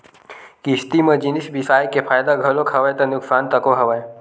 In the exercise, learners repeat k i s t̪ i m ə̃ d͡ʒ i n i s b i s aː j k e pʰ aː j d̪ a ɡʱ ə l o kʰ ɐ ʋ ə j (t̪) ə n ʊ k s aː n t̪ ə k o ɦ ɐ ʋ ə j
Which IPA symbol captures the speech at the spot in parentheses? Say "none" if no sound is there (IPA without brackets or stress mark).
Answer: t̪